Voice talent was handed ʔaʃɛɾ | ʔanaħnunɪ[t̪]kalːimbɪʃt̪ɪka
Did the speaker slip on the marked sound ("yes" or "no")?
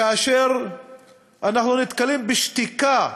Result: no